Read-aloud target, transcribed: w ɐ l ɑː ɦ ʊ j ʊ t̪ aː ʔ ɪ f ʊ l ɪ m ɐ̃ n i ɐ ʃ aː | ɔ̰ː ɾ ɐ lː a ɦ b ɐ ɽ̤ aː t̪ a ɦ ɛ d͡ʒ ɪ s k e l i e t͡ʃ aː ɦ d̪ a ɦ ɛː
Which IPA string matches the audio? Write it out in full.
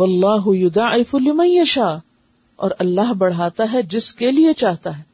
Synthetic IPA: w ɐ lː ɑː ɦ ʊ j ʊ d̪ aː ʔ ɪ f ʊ l ɪ m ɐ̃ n j ɐ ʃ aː | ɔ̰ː ɾ ɐ lː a ɦ b ɐ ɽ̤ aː t̪ a ɦ ɛ d͡ʒ ɪ s k e l i e t͡ʃ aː ɦ t̪ a ɦ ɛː